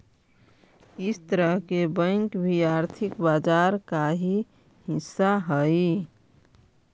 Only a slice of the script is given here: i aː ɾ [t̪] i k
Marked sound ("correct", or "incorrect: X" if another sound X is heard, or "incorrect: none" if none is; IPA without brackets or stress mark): incorrect: t̪ʰ